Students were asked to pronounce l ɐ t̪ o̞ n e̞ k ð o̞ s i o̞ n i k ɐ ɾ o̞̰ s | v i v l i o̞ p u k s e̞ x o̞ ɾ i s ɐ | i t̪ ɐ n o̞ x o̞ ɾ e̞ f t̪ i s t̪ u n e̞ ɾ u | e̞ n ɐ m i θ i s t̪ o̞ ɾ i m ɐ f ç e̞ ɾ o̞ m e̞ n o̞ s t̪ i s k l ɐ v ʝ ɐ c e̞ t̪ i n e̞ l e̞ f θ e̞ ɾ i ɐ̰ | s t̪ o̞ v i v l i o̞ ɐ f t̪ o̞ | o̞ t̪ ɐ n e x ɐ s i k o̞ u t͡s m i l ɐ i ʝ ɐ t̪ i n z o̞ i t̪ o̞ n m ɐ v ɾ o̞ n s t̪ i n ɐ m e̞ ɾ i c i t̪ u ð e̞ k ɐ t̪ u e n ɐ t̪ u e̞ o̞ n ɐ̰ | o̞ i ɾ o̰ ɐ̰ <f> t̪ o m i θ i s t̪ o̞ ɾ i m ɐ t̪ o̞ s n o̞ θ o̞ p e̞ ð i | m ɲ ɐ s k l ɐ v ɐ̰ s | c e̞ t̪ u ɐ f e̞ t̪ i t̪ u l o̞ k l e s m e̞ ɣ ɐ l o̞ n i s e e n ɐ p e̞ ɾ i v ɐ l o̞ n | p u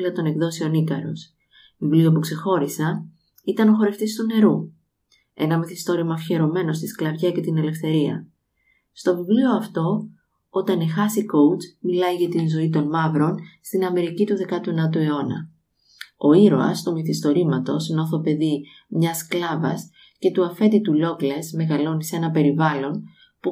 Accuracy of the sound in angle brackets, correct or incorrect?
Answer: incorrect